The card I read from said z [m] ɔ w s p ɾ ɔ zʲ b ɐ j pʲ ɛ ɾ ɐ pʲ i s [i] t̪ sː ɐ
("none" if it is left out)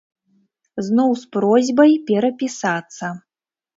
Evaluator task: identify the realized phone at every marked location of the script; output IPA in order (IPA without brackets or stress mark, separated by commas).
n, a